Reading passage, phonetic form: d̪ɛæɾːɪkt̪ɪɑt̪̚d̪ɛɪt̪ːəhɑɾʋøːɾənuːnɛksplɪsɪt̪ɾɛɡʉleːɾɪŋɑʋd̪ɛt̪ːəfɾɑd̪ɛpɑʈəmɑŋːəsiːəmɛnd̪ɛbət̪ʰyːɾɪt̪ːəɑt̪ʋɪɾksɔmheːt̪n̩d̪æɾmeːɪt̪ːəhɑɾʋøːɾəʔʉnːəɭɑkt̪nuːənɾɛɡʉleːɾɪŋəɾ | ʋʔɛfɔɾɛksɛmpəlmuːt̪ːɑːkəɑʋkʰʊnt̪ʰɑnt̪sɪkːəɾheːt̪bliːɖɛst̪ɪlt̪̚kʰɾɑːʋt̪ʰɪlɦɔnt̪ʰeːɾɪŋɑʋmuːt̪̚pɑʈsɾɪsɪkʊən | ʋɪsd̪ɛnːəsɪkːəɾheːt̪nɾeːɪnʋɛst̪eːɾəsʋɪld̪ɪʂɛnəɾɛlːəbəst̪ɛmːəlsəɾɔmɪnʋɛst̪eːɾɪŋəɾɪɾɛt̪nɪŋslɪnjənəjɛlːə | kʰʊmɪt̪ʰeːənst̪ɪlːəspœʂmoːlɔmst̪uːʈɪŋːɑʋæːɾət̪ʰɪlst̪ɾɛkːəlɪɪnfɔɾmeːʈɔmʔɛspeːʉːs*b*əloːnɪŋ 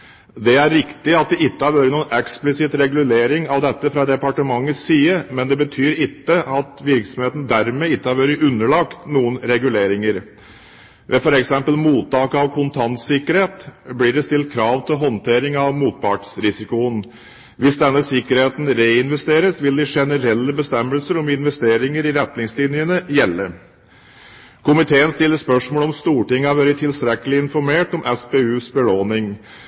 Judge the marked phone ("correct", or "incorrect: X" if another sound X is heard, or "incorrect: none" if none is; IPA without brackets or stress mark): correct